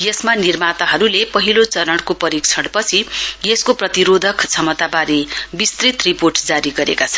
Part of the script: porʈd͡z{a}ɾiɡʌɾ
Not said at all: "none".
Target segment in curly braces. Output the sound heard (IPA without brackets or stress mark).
a